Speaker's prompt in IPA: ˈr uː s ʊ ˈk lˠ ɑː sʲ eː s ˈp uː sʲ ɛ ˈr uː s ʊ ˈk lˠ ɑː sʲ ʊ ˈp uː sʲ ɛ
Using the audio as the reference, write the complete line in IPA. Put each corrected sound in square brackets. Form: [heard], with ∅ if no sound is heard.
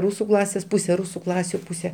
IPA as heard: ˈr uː s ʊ ˈk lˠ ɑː sʲ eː s ˈp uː sʲ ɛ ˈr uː s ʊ ˈk lˠ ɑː sʲ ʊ ˈp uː sʲ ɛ